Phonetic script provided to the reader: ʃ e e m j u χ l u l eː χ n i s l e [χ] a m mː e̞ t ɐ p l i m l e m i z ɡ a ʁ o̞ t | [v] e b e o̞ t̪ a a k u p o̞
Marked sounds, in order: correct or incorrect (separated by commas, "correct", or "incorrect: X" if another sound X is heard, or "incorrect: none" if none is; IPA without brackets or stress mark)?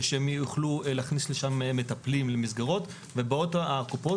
incorrect: ʃ, correct